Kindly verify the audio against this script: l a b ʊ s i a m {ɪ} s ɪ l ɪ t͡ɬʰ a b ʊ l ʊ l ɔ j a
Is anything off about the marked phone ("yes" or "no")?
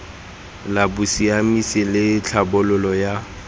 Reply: yes